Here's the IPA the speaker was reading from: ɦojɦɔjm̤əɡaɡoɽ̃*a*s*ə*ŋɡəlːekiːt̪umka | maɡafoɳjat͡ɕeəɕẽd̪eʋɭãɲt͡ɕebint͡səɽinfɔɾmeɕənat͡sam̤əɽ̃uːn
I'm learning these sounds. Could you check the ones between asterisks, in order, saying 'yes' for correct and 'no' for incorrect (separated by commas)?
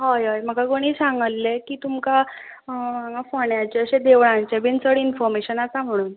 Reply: no, no